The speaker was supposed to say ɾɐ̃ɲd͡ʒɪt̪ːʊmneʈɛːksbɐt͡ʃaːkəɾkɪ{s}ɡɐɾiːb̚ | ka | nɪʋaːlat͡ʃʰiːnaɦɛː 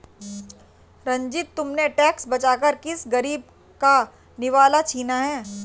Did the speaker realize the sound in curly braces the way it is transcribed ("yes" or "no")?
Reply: yes